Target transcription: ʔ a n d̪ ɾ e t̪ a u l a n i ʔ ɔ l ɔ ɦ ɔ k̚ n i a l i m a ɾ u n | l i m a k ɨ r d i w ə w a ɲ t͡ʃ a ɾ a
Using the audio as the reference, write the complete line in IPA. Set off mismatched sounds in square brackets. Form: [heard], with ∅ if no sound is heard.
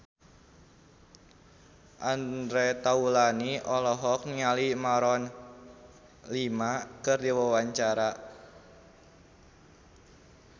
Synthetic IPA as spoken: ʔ a n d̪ ɾ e t̪ a u l a n i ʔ ɔ l ɔ ɦ ɔ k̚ n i a l i m a ɾ [ɔ] n | l i m a k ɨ r d i w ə w a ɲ t͡ʃ a ɾ a